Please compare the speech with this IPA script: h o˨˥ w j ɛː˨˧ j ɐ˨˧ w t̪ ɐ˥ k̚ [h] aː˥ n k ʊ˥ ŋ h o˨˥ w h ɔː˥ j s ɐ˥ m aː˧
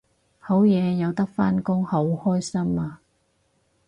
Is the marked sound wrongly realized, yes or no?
yes